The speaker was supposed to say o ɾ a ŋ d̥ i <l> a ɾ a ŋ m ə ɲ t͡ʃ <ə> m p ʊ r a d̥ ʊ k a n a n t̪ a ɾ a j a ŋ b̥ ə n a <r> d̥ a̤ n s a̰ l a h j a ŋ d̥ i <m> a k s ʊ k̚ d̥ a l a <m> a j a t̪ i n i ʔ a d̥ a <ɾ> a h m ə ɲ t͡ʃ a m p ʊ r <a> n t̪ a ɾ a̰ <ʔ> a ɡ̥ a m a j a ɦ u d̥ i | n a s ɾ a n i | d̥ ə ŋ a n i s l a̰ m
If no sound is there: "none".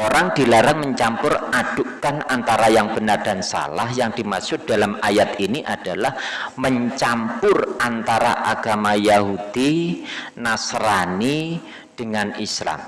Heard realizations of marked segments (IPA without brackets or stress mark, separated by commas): l, a, r, m, m, l, a, ʔ